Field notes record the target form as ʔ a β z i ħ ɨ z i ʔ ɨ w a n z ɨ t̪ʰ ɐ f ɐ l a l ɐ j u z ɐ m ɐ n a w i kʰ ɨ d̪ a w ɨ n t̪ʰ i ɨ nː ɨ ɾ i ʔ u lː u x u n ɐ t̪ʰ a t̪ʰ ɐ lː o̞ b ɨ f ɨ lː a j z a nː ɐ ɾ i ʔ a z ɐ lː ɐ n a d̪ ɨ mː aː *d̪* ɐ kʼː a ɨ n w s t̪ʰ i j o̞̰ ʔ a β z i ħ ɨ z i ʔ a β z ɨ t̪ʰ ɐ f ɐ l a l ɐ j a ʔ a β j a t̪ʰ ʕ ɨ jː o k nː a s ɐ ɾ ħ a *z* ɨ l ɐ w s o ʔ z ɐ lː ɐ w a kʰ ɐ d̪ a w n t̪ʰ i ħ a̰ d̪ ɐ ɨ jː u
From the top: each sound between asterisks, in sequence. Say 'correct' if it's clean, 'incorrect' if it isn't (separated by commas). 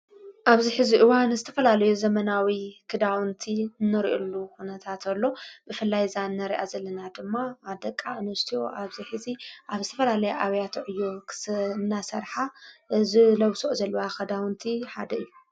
correct, correct